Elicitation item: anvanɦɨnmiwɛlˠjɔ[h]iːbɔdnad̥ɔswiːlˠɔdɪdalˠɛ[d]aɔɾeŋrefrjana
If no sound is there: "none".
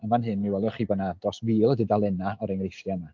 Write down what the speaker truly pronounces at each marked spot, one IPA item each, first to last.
χ, n

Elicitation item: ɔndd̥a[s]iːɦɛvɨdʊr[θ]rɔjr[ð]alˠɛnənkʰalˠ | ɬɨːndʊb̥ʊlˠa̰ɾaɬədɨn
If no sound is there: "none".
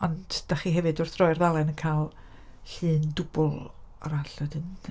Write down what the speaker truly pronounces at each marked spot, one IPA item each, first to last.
χ, θ, ð

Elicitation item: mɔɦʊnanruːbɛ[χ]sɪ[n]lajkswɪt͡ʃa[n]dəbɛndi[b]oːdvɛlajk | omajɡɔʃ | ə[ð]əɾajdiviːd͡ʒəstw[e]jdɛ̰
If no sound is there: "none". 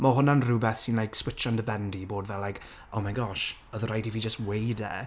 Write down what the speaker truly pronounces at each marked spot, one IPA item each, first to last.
θ, n, n, b, ð, e

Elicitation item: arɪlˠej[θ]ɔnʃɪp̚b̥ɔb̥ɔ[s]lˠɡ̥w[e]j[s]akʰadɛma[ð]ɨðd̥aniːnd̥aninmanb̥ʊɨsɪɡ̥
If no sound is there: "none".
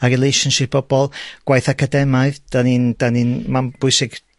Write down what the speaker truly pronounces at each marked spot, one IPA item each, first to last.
ʃ, none, a, θ, none

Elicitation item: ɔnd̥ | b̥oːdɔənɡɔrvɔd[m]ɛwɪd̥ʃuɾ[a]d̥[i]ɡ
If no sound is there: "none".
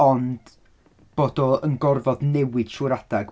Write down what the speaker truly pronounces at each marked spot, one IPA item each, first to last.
n, a, a

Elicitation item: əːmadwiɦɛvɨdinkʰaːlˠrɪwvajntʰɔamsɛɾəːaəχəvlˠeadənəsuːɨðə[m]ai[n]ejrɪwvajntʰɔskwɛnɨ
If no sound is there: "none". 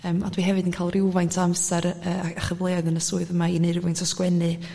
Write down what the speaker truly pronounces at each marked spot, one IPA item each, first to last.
m, n

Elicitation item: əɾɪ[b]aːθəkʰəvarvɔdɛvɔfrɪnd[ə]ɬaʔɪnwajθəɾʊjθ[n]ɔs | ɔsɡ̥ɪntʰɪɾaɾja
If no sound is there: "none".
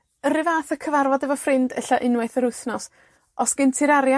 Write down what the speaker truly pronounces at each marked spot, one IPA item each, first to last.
v, ə, n

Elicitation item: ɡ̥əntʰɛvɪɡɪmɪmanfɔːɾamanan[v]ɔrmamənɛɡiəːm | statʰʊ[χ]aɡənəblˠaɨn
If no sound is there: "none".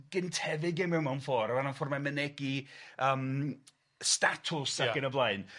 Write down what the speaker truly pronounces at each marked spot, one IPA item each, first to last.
f, s

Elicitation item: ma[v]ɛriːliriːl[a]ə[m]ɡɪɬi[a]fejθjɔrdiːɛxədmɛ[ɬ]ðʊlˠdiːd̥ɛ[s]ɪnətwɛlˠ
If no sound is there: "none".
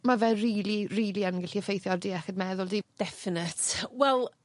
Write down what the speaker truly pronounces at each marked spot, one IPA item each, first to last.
v, i, n, ə, none, f

